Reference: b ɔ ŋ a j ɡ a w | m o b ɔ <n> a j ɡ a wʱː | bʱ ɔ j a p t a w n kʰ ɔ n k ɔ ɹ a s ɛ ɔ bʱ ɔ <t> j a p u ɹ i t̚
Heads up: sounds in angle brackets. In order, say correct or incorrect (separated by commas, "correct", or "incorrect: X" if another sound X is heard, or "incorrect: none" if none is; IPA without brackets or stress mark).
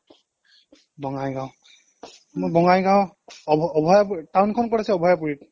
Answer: incorrect: ŋ, incorrect: none